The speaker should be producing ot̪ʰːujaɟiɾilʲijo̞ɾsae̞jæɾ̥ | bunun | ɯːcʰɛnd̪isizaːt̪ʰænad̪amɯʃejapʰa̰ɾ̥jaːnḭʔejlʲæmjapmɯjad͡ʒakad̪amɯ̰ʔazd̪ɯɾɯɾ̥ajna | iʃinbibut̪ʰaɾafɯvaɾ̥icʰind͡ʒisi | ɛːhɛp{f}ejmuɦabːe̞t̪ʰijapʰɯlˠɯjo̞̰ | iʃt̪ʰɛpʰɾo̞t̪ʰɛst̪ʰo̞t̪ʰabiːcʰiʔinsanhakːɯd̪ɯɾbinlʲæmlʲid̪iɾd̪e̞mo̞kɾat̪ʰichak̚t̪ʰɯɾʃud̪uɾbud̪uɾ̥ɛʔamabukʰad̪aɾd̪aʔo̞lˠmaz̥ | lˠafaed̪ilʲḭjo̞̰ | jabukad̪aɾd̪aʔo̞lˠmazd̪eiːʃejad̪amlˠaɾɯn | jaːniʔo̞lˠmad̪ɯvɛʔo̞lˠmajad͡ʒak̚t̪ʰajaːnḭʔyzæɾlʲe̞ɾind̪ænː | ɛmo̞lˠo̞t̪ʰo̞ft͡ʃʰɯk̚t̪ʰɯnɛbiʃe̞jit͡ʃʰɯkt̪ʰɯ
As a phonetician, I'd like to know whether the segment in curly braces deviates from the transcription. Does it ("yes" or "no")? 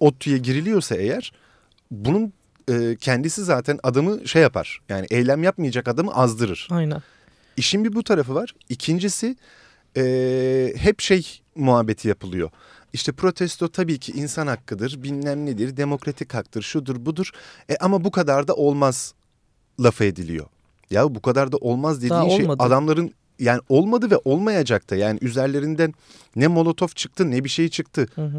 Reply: yes